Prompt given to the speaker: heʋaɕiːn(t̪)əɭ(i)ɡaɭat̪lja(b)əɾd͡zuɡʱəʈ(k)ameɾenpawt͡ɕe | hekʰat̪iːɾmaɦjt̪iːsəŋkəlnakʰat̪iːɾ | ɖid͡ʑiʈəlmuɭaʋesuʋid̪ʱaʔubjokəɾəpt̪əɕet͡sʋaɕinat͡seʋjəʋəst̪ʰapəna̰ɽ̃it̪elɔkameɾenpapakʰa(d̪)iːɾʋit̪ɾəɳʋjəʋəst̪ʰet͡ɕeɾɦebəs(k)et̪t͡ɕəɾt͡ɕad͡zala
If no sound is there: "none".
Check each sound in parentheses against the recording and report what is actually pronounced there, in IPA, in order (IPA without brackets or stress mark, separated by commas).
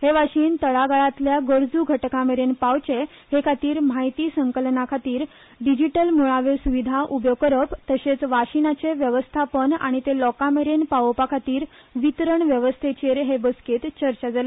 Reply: t̪, a, ɡ, k, t̪, k